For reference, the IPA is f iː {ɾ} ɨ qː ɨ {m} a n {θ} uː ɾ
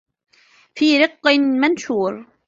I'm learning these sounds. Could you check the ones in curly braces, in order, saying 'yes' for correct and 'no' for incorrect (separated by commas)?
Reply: yes, yes, no